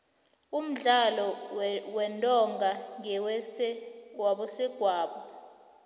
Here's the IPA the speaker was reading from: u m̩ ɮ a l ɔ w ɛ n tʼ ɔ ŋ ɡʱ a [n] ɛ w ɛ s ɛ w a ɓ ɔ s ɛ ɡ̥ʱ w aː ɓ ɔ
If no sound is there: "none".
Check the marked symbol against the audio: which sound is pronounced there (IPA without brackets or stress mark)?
ŋ